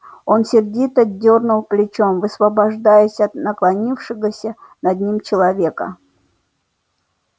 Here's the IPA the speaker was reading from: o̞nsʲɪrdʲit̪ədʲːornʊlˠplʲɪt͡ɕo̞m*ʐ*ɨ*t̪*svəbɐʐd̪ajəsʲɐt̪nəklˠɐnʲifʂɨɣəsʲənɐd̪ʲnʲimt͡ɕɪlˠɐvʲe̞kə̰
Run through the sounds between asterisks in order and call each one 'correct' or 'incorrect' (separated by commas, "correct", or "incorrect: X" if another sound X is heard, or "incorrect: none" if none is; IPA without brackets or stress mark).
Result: incorrect: v, incorrect: none